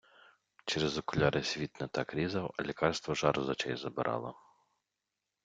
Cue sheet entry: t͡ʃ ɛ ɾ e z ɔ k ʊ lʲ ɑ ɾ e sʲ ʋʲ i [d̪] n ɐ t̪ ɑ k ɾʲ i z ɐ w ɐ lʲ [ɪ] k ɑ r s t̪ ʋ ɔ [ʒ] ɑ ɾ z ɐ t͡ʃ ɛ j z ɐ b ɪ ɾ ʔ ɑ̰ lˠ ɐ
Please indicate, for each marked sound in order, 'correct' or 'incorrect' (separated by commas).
incorrect, incorrect, correct